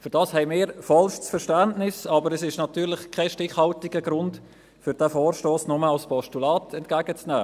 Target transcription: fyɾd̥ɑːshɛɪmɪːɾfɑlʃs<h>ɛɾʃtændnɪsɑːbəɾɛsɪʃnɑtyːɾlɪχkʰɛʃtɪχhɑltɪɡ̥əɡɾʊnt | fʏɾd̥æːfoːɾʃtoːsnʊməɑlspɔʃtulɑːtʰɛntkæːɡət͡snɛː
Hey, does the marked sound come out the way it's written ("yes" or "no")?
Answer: no